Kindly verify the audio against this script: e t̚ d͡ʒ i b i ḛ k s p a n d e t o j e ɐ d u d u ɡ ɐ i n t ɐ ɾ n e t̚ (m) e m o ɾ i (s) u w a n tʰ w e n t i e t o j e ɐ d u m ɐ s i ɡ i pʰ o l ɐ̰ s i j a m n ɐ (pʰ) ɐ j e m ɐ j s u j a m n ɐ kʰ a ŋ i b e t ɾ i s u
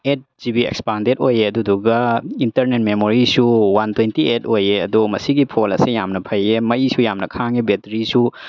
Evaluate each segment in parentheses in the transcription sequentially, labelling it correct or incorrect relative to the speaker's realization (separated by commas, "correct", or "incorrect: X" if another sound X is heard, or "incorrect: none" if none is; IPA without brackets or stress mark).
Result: correct, correct, correct